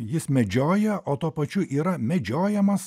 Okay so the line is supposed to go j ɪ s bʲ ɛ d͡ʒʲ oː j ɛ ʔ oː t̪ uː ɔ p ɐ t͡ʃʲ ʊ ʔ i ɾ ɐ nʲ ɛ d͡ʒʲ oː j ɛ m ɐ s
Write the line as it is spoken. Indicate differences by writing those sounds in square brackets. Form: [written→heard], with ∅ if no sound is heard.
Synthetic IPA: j ɪ s [bʲ→mʲ] ɛ d͡ʒʲ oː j ɛ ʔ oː t̪ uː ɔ p ɐ t͡ʃʲ ʊ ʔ [i→iː] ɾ ɐ [nʲ→mʲ] ɛ d͡ʒʲ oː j ɛ m ɐ s